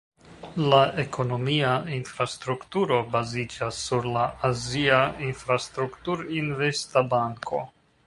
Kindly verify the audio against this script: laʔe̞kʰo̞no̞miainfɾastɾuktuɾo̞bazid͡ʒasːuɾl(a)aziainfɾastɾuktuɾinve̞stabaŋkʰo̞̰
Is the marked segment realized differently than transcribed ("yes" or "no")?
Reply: no